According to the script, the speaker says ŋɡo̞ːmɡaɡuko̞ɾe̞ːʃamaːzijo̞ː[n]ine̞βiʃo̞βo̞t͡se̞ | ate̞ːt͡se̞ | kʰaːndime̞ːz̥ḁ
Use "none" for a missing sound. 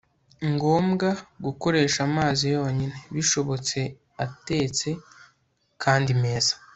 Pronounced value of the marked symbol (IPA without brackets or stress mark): ɲ